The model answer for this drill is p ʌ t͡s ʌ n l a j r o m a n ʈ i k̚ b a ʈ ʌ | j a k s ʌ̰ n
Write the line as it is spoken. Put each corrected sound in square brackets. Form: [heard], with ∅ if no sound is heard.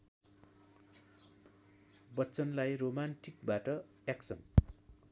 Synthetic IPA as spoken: [b] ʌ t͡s ʌ n l a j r o m a n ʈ i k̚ b a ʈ ʌ | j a k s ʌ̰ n